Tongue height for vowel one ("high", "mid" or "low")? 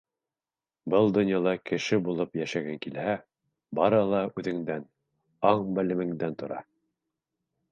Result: mid